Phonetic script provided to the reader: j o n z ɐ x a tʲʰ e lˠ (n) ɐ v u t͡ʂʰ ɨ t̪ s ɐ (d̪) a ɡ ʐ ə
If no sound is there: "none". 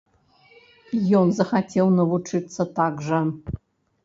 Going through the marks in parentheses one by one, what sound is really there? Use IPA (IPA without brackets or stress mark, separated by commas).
n, t̪